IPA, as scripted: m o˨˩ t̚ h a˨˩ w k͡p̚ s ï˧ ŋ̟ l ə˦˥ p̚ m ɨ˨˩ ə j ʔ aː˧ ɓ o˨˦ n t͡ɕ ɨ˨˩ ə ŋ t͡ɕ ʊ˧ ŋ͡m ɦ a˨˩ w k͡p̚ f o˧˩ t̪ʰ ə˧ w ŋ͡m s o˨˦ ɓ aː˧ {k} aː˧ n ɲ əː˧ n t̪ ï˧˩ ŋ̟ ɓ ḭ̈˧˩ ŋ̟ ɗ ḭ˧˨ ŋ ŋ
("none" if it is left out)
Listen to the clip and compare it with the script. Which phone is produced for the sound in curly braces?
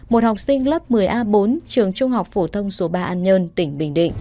ʔ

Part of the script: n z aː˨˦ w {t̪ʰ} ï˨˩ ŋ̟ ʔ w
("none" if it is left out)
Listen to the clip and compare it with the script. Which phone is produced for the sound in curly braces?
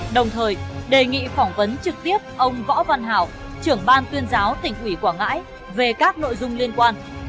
t̪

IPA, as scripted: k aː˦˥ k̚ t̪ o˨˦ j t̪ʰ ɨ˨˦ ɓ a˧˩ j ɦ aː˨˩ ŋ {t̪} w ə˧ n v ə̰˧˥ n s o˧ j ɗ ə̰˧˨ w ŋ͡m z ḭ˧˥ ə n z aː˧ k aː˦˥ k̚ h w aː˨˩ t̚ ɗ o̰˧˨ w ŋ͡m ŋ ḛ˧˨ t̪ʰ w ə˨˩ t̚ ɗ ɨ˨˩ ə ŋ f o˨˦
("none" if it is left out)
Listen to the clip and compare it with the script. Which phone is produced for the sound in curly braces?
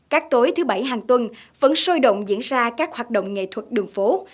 t̪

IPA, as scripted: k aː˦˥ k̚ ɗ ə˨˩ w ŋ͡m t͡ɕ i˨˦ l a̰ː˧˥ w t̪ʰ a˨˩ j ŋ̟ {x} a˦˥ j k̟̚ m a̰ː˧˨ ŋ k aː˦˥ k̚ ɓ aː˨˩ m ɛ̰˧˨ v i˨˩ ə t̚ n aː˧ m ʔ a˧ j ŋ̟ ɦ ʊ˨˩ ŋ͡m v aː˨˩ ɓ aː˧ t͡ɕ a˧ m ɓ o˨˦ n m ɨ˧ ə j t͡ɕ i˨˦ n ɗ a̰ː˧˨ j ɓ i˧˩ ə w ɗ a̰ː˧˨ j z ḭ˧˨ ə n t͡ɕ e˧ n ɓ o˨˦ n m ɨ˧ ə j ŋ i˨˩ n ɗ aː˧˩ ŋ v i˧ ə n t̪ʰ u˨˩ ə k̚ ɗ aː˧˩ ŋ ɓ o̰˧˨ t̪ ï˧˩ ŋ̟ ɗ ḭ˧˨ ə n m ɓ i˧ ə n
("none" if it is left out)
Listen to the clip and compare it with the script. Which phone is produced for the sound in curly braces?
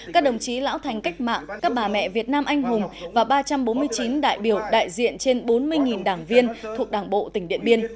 k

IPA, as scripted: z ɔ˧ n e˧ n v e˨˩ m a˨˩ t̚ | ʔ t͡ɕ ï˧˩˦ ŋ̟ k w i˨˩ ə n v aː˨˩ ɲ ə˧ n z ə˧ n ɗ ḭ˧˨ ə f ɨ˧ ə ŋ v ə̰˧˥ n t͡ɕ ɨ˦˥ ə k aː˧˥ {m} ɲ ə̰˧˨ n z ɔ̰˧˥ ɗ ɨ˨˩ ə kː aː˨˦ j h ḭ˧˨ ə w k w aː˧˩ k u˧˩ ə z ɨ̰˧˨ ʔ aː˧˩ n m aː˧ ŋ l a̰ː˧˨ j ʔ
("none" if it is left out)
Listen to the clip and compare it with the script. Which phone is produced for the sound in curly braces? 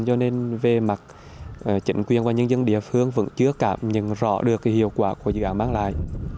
m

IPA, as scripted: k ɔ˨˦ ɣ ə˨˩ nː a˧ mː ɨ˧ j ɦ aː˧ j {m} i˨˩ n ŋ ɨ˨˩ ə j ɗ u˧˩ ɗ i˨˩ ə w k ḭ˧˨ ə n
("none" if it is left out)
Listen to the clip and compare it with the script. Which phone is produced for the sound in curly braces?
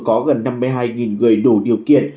ŋ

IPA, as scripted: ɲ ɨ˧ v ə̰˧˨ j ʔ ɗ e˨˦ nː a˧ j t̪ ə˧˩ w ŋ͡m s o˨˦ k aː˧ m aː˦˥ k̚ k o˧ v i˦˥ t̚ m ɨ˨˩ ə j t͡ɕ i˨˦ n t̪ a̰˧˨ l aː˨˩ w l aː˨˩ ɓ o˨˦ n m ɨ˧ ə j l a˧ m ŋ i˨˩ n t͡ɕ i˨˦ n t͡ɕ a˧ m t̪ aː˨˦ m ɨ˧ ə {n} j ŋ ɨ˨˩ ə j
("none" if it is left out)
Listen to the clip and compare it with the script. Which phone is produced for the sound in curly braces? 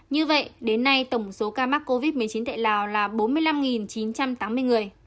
none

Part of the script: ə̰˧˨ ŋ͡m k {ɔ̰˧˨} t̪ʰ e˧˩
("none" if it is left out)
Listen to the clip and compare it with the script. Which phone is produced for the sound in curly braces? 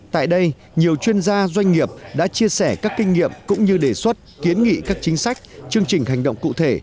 ṵ˧˨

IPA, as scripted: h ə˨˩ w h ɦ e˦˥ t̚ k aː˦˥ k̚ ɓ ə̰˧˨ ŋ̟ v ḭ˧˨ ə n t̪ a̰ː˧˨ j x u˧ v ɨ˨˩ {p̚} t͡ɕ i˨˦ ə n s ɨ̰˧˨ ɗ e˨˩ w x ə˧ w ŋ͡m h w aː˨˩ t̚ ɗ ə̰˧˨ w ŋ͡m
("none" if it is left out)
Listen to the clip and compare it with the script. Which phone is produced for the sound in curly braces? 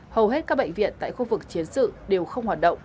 k̚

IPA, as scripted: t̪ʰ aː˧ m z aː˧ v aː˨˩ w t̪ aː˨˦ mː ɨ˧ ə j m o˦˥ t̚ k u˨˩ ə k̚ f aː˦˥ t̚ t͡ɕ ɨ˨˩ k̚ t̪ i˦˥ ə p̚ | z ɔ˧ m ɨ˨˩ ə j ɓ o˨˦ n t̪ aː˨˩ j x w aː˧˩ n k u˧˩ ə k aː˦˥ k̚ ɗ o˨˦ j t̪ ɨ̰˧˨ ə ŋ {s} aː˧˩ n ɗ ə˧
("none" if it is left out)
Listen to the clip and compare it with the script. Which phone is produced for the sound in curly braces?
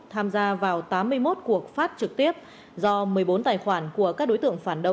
f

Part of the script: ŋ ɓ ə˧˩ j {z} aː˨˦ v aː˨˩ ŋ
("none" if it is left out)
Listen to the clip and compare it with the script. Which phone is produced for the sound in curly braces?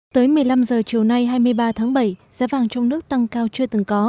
z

